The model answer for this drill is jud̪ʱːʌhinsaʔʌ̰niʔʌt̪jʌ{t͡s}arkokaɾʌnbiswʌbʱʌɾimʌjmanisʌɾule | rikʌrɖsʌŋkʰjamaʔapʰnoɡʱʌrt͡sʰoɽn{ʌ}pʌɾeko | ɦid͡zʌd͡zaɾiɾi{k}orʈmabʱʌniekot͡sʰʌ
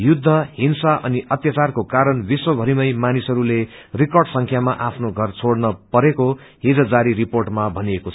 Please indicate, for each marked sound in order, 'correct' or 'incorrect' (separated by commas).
correct, correct, incorrect